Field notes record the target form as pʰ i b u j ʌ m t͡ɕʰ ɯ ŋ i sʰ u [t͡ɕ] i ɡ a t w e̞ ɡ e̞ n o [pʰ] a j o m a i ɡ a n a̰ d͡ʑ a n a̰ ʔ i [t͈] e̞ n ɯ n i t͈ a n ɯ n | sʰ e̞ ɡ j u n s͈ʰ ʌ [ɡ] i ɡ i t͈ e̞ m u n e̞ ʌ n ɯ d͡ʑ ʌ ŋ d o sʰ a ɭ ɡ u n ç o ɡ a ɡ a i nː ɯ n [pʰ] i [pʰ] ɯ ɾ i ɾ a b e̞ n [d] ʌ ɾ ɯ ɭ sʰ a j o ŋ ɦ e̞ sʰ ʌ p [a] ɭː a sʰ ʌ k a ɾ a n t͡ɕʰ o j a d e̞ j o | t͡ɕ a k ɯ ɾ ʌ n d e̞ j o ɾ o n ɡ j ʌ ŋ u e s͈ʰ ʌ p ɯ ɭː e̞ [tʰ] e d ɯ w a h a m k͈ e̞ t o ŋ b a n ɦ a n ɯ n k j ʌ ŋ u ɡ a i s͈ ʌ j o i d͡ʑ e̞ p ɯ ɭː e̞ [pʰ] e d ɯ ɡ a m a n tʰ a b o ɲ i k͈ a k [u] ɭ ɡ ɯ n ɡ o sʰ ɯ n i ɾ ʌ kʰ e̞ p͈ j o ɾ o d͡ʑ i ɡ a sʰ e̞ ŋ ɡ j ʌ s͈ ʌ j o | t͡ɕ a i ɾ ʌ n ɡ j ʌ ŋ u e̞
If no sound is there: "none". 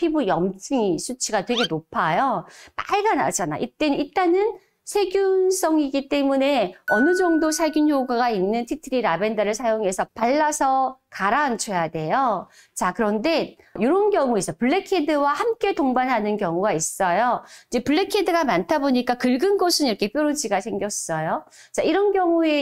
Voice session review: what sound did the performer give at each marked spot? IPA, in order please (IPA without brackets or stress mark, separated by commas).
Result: t͡ɕʰ, pʰ, t͈, ŋ, tʰ, tʰ, d, a, kʰ, kʰ, ɯ